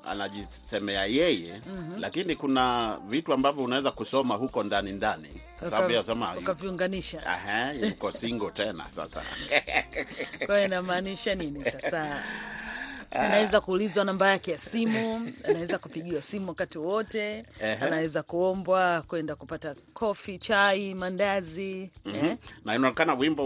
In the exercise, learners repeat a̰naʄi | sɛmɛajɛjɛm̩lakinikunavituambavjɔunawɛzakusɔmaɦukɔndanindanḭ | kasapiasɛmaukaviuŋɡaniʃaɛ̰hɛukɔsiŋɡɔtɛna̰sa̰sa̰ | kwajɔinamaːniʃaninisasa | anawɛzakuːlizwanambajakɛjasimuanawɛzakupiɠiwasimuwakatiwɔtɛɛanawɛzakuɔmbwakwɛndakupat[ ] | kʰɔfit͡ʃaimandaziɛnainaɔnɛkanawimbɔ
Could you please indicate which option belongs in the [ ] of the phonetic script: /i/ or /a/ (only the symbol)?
a